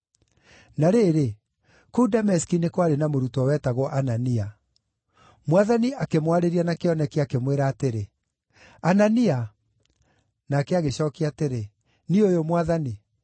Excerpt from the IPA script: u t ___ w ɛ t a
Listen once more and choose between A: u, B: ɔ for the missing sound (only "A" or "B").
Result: B